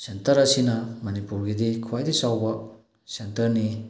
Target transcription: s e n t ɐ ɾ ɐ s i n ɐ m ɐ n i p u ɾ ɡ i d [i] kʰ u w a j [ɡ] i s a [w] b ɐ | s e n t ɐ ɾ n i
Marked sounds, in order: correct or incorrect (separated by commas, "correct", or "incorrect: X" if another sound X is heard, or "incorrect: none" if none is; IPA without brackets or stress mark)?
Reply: correct, incorrect: d, correct